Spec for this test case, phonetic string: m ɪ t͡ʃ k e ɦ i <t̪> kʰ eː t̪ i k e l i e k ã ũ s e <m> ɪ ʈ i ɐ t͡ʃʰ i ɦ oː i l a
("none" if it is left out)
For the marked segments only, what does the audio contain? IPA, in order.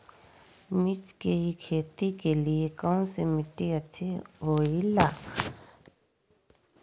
none, m

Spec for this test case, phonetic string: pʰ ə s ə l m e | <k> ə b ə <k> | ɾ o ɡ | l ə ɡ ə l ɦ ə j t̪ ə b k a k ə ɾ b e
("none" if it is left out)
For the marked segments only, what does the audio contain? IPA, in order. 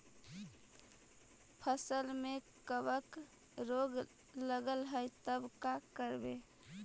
k, k

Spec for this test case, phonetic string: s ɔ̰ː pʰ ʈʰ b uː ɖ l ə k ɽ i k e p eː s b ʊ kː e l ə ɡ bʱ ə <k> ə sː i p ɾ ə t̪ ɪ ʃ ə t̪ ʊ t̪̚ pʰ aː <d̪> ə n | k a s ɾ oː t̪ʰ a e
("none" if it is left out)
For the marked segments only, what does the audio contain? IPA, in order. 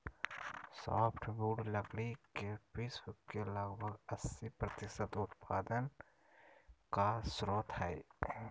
ɡ, d̪

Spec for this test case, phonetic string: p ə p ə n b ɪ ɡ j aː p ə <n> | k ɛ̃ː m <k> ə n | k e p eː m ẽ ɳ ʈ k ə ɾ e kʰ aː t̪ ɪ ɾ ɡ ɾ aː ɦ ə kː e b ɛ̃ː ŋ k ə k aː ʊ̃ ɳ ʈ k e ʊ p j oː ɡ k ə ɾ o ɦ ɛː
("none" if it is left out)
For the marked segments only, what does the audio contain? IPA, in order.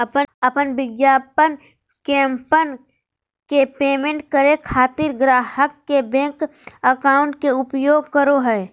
n, p

